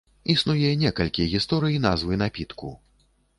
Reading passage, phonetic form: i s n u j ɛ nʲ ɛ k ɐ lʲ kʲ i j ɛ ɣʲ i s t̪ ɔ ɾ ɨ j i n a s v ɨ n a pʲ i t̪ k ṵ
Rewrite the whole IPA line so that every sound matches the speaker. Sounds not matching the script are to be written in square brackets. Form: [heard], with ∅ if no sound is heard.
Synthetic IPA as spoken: i s n u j ɛ nʲ ɛ k ɐ lʲ kʲ i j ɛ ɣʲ i s t̪ ɔ ɾ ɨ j i n a [z] v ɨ n a pʲ i t̪ k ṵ